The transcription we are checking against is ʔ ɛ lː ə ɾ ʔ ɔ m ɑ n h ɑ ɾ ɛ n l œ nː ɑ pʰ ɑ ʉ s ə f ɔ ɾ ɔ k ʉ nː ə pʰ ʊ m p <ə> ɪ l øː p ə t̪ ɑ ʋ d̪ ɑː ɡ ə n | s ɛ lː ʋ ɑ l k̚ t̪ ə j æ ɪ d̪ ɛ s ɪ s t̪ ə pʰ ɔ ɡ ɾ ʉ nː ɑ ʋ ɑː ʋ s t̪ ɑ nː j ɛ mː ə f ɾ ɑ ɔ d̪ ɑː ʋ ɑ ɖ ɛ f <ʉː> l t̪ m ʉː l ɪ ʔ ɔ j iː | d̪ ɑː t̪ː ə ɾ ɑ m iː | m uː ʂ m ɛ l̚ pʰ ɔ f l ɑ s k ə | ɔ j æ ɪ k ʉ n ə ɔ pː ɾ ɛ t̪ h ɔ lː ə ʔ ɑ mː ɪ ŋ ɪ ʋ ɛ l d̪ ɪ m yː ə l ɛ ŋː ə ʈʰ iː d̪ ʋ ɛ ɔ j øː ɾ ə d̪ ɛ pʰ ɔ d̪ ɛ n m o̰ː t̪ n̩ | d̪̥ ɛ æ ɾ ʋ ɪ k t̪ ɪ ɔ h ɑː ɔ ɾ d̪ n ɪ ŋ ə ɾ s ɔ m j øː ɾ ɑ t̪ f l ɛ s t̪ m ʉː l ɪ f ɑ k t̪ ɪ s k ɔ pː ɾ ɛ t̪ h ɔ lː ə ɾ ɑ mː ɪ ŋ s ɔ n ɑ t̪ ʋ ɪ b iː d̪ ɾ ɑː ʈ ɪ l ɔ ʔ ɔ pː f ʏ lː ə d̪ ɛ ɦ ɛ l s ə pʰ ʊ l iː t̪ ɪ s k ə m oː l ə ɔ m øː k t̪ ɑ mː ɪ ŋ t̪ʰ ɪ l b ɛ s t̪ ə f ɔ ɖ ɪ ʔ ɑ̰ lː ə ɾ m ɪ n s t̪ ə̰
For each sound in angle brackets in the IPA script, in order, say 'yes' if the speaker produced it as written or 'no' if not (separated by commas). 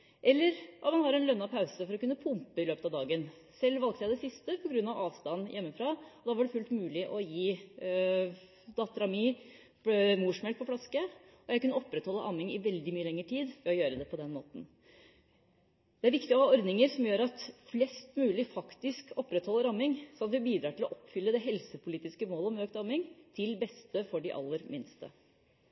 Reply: yes, no